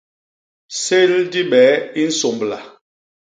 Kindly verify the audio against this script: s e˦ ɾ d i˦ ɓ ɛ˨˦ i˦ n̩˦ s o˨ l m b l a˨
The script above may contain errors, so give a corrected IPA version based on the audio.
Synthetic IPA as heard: s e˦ l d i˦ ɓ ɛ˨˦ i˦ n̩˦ s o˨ m b l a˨